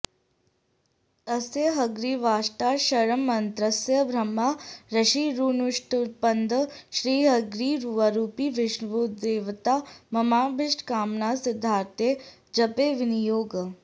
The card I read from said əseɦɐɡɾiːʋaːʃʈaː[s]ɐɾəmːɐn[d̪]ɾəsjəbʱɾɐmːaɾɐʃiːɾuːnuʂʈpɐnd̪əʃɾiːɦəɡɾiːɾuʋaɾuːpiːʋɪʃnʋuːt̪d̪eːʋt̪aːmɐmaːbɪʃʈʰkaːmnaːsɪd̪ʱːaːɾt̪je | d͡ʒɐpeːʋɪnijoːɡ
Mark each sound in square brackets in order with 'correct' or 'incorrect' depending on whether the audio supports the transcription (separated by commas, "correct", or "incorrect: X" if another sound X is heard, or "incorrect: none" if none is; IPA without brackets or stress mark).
incorrect: ʃ, incorrect: t̪